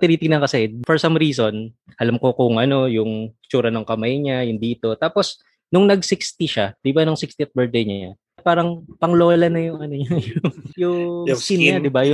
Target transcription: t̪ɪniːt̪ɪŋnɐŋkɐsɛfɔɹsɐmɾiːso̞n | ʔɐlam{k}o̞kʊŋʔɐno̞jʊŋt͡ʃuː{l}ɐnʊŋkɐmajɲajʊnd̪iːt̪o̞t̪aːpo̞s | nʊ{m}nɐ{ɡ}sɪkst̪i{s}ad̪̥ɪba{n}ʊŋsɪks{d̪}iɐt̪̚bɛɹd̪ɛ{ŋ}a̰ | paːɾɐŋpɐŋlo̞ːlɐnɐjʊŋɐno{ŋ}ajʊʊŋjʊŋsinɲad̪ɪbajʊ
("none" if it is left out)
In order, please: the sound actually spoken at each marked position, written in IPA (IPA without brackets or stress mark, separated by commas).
k, ɾ, ŋ, ɡ, ʃ, n, t̪, ɲ, ɲ